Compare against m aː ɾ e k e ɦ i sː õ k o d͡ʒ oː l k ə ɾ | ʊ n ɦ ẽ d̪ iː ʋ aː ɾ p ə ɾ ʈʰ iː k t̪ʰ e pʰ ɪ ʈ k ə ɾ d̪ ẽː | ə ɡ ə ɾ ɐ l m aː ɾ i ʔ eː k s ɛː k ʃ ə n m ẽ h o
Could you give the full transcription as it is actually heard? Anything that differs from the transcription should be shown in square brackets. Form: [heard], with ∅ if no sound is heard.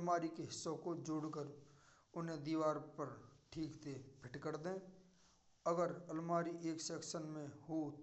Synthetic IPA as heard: m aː ɾ [i] k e ɦ [ɪ] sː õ k o d͡ʒ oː [ɽ] k ə ɾ | ʊ n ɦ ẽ d̪ iː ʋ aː ɾ p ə ɾ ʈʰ iː k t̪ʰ e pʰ ɪ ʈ k ə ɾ d̪ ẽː | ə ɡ ə ɾ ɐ l m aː ɾ i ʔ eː k s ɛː k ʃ ə n m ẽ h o